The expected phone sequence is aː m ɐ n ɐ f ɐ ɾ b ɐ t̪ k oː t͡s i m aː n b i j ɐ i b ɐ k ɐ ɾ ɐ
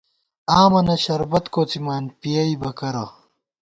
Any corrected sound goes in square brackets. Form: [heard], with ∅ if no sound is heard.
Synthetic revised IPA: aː m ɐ n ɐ [ɕ] ɐ ɾ b ɐ t̪ k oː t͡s i m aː n [p] i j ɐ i b ɐ k ɐ ɾ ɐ

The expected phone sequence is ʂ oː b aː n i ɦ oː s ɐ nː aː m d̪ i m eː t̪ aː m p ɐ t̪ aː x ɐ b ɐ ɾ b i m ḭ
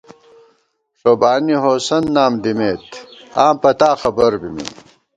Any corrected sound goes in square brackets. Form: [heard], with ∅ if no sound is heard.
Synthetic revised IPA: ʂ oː b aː n i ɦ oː s ɐ nː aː m d̪ i m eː t̪ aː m p ɐ t̪ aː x ɐ b ɐ ɾ b i m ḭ

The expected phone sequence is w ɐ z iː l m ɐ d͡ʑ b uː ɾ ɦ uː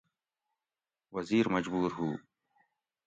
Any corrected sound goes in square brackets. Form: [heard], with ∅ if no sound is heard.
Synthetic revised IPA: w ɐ z iː [ɾ] m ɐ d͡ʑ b uː ɾ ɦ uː

